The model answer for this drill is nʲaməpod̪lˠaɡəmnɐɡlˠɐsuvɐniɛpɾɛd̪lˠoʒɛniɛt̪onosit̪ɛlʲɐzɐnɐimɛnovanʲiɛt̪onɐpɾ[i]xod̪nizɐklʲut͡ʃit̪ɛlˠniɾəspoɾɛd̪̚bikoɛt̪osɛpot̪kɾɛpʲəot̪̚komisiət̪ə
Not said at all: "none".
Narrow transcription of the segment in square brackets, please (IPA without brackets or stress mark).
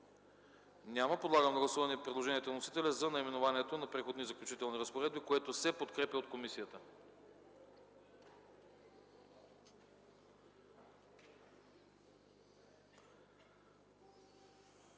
ɛ